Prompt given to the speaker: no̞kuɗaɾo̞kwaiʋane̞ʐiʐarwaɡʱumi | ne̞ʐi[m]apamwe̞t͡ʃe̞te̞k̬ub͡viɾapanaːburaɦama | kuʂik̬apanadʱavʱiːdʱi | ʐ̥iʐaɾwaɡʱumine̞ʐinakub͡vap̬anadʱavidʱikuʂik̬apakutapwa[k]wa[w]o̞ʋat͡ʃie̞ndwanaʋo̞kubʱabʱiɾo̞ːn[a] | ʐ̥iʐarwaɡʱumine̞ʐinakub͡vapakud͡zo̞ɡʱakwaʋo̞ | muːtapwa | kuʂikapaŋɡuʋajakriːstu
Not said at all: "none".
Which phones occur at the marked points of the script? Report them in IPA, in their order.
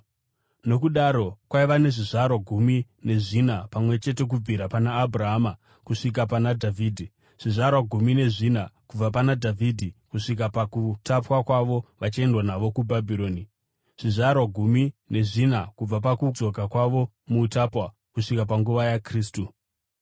n, k, ʋ, i

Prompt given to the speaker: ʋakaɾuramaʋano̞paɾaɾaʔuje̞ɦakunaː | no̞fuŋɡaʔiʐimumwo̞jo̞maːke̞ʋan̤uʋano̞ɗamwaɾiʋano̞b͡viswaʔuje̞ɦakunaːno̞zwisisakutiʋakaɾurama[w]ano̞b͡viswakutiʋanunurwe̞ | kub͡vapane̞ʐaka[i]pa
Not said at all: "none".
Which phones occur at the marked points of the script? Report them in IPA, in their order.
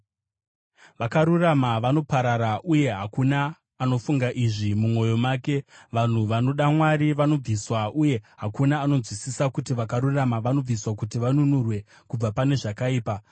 ʋ, iː

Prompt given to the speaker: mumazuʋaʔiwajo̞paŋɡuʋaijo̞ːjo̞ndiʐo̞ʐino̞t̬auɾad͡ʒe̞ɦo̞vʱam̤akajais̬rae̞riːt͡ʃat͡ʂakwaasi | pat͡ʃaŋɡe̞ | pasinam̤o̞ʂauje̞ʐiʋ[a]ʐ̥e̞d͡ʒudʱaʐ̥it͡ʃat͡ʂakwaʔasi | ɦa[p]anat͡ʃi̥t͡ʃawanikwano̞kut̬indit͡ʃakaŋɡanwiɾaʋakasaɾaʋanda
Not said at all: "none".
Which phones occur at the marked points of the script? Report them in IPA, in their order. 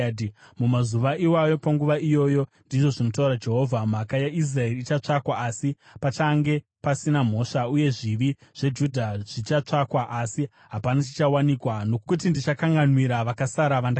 i, p

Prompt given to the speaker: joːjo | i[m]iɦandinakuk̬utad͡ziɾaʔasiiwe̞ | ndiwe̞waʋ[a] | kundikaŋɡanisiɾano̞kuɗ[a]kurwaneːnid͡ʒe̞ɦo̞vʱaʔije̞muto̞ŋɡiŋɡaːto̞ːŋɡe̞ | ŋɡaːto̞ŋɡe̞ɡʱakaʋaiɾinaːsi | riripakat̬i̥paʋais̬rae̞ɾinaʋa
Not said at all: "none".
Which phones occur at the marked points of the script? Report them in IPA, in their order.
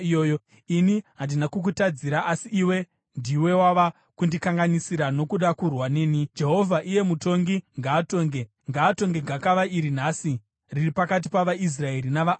n, a, a

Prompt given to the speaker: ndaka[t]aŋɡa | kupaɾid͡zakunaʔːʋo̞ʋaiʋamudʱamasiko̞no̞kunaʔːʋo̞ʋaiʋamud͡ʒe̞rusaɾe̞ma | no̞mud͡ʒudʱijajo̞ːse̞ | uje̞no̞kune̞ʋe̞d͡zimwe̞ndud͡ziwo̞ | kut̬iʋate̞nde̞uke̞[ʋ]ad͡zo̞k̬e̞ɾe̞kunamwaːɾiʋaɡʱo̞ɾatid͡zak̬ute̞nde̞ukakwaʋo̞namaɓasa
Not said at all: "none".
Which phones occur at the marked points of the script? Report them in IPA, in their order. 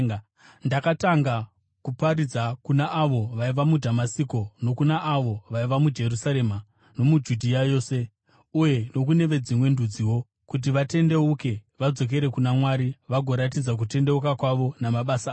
t, ʋ

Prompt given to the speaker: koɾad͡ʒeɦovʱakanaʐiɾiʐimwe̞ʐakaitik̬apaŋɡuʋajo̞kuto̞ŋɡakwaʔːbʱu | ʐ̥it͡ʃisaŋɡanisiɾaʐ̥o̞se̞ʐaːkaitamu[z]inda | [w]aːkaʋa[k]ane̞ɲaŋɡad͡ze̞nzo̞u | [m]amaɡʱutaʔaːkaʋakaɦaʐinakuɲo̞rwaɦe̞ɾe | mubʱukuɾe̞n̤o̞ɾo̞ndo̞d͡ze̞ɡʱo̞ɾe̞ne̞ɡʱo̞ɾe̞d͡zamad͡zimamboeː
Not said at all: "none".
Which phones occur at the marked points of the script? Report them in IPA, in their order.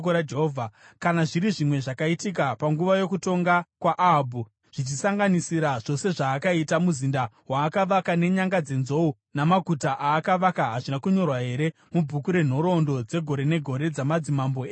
z, w, k, n

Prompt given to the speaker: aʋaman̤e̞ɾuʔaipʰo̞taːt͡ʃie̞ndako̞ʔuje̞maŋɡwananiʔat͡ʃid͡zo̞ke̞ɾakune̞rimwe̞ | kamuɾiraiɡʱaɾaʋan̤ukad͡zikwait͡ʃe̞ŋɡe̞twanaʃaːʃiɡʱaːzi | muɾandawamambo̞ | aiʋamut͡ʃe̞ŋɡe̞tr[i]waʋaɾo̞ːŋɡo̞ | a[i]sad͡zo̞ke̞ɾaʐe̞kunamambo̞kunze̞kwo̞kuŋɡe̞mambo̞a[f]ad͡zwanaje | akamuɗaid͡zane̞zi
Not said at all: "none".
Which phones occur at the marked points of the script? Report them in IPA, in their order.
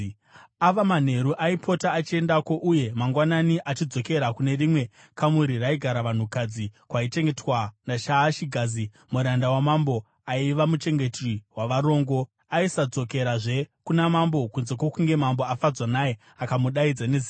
i, i, f

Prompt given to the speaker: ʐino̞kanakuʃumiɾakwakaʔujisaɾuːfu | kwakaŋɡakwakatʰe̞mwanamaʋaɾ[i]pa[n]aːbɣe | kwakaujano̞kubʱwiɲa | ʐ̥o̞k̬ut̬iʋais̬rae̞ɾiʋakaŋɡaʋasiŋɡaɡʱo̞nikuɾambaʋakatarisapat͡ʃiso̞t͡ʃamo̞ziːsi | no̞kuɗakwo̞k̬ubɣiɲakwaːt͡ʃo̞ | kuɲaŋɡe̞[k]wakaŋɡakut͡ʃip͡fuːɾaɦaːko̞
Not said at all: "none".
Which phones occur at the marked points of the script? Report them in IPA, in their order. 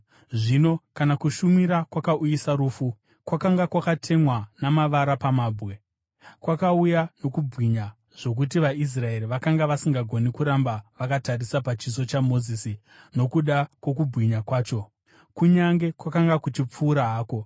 a, m, k

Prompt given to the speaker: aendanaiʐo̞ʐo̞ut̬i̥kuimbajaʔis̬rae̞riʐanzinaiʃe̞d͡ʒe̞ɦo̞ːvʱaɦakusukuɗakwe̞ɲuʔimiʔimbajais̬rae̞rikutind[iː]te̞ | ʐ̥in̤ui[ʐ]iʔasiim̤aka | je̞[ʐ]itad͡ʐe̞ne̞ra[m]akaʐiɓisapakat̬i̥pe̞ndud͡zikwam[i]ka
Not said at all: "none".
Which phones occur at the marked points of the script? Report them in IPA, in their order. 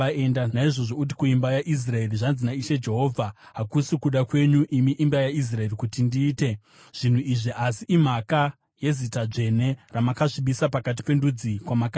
iː, ʐ, z, m, a

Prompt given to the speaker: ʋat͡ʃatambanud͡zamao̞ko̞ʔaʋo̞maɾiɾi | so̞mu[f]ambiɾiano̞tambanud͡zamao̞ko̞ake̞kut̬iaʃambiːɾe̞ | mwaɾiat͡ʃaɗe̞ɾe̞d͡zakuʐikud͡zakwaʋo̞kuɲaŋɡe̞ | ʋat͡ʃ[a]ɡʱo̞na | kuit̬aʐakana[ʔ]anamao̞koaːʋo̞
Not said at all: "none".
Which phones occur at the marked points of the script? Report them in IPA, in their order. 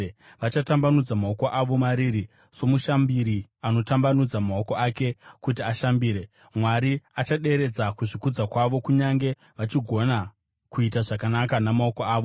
ʃ, i, k

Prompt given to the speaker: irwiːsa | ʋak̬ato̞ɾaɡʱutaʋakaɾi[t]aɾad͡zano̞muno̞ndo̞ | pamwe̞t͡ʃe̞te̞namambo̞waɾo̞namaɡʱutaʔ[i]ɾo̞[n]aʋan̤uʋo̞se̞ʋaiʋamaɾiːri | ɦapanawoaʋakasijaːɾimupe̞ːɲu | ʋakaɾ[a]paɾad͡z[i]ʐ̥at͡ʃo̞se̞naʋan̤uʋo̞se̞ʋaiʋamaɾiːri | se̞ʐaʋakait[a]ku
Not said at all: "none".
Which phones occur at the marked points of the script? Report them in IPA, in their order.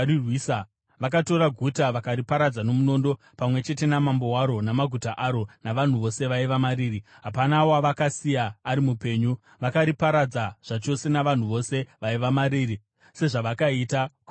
p, a, n, i, a, a

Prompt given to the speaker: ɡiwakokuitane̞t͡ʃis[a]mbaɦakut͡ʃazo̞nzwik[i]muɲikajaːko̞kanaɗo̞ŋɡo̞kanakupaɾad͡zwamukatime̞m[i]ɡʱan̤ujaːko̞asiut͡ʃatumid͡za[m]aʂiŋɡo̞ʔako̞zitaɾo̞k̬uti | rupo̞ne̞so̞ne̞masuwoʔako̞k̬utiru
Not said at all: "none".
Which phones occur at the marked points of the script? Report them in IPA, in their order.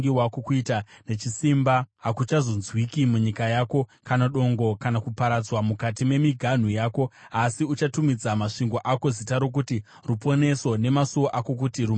i, i, i, m

